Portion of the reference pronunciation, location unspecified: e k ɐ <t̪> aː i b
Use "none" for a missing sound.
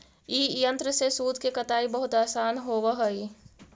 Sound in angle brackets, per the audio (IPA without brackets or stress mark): t̪